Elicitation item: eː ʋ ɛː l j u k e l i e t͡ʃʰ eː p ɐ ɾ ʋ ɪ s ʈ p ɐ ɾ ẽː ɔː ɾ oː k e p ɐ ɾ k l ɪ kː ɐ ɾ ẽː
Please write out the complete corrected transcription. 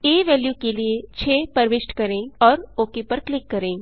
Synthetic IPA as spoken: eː ʋ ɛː l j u k e l i e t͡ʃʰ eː p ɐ ɾ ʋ ɪ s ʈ k ɐ ɾ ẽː ɔː ɾ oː k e p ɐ ɾ k l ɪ kː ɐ ɾ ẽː